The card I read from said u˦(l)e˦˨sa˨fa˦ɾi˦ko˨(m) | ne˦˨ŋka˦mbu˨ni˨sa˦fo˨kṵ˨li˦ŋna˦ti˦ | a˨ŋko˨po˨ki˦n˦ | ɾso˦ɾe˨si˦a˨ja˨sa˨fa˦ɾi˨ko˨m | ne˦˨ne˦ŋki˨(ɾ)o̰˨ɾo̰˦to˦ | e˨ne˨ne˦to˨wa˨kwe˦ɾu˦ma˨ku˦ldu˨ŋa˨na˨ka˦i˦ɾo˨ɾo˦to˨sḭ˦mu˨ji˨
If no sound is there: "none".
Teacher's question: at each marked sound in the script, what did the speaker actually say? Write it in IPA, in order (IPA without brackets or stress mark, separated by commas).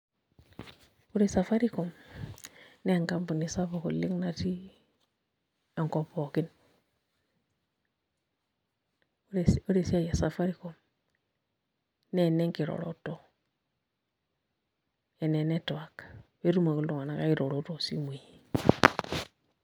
ɾ, m, ɾ